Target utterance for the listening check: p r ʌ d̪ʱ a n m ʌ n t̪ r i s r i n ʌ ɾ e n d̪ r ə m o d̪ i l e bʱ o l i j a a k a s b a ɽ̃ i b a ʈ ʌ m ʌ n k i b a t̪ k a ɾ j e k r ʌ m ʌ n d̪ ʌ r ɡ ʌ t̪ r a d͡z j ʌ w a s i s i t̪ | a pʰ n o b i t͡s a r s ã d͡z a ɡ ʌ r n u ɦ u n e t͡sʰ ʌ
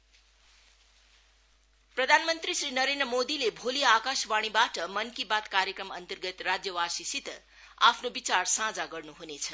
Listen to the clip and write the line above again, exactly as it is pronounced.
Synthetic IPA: p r ʌ d̪ʱ a n m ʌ n t̪ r i s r i n ʌ ɾ e n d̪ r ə m o d̪ i l e bʱ o l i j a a k a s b a ɽ̃ i b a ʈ ʌ m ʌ n k i b a t̪ k a ɾ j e k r ʌ m ʌ n t̪ ʌ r ɡ ʌ t̪ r a d͡z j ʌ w a s i s i t̪ | a pʰ n o b i t͡s a r s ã d͡z a ɡ ʌ r n u ɦ u n e t͡sʰ ʌ